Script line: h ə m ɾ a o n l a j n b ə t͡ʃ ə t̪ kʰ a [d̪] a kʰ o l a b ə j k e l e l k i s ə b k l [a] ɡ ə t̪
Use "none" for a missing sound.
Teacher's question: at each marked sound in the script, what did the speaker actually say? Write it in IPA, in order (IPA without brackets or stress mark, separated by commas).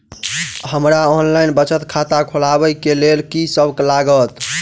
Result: t̪, a